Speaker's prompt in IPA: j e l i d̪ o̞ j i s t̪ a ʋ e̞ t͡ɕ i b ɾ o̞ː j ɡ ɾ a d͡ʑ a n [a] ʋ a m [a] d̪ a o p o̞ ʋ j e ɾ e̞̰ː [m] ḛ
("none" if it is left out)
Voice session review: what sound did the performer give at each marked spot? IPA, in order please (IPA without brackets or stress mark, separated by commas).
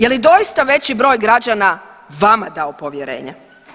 a, a, ɲ